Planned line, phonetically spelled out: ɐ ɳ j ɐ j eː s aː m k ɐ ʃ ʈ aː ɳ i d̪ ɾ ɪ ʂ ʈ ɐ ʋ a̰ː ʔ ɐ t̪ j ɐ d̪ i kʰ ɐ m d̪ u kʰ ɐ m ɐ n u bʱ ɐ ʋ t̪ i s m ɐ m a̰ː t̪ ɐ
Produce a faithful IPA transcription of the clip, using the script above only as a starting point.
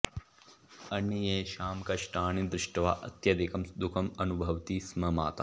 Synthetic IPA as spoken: ɐ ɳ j ɐ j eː ʃ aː m k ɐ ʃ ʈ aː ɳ i d̪ ɾ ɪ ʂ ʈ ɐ ʋ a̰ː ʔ ɐ t̪ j ɐ d̪ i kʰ ɐ m d̪ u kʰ ɐ m ɐ n u bʱ ɐ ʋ t̪ i s m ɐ m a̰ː t̪ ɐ